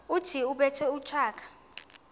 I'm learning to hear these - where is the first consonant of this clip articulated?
tongue tip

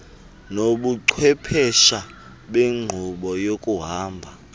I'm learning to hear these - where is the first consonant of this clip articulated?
tongue tip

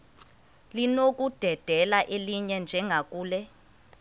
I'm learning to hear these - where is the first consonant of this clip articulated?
tongue tip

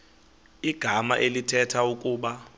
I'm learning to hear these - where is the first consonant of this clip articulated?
velum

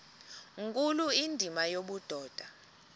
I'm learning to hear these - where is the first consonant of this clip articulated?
velum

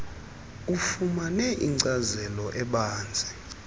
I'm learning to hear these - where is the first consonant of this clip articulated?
lips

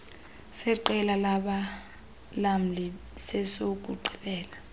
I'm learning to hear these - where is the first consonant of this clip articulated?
tongue tip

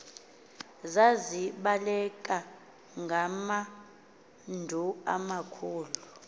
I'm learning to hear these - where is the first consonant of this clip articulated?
tongue tip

